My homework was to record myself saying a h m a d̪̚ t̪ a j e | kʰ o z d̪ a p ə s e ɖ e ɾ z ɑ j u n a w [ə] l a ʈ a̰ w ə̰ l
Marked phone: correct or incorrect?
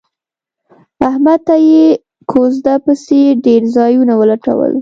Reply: correct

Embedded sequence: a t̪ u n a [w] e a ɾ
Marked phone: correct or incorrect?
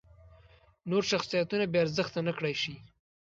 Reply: incorrect: b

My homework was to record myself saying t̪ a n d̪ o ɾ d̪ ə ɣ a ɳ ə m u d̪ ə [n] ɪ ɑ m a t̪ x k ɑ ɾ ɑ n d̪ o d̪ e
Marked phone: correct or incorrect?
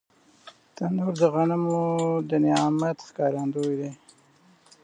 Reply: correct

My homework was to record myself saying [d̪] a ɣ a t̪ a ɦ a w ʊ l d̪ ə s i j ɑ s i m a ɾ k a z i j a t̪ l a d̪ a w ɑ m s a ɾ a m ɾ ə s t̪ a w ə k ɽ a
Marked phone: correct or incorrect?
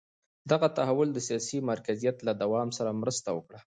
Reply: correct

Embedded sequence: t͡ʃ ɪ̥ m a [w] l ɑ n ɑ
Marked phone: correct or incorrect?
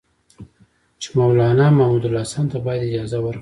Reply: correct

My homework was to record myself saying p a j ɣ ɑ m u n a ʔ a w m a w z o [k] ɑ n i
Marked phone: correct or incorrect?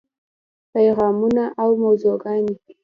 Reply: incorrect: ɡ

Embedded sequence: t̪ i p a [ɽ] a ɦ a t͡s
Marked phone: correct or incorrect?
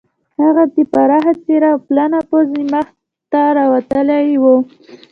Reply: incorrect: ɾ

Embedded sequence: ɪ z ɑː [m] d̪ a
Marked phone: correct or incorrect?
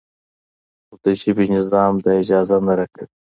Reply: correct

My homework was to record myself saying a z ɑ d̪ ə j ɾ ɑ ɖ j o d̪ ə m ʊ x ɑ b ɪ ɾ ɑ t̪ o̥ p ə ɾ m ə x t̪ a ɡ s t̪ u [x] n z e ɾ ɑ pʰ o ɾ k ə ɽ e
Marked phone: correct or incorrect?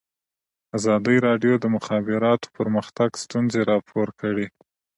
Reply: incorrect: none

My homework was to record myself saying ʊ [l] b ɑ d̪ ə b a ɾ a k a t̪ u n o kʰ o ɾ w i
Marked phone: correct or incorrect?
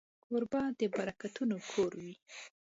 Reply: incorrect: ɾ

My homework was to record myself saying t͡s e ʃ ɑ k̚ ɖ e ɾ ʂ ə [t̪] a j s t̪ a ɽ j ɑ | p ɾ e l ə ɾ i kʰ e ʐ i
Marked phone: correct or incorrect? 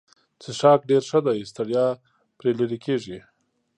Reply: incorrect: d̪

